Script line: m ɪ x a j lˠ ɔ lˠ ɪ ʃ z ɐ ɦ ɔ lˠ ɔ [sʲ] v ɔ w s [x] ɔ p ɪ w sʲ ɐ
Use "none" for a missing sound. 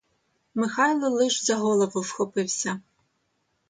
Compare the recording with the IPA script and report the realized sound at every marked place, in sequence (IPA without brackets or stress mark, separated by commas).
none, x